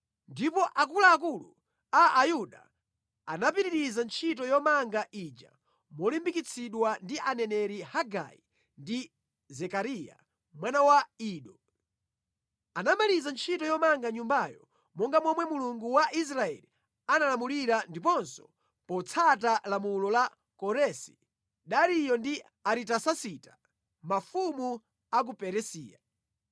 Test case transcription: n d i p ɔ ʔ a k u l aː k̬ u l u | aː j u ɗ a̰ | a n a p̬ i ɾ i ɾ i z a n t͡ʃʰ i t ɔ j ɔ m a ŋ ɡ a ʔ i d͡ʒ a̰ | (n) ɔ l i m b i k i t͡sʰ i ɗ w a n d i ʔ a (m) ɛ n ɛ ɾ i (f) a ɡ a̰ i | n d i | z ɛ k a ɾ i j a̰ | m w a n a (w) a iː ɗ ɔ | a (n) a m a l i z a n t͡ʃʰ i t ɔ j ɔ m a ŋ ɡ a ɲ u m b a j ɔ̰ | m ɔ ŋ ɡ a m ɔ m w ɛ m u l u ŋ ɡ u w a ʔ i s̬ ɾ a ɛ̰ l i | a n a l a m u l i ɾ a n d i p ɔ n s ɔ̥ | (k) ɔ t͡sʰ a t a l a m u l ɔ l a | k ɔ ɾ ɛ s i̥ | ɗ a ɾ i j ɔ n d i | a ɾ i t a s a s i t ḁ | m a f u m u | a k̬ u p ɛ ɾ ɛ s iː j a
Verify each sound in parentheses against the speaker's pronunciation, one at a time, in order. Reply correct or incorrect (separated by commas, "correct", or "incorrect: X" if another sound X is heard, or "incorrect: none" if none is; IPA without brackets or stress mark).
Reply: incorrect: m, incorrect: n, incorrect: h, correct, correct, incorrect: p